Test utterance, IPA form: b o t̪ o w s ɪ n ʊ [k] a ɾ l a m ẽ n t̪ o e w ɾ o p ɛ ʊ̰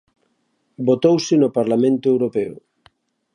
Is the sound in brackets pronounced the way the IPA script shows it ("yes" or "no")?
no